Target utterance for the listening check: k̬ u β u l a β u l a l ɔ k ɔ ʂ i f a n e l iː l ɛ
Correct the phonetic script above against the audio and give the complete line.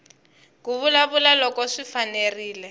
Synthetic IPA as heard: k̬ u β u l a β u l a l ɔ k ɔ ʂ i f a n e r iː l ɛ